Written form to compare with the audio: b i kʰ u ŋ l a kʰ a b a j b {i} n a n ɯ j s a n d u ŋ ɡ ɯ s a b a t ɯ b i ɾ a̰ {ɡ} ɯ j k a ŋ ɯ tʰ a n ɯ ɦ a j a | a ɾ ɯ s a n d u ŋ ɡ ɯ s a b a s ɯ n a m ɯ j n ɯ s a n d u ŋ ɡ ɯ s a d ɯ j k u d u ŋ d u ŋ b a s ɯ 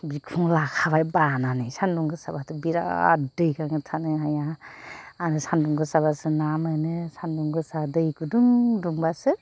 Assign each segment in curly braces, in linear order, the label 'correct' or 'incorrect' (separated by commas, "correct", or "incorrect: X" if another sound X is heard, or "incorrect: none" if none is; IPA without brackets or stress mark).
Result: incorrect: a, incorrect: d